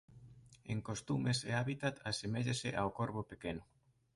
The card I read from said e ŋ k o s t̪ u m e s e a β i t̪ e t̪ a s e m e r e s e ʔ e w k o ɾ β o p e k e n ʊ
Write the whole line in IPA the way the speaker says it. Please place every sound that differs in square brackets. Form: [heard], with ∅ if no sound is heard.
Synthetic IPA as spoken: e ŋ k o s t̪ u m e s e a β i t̪ [a] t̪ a s e m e [ʎ] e s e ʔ [a] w k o ɾ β o p e k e n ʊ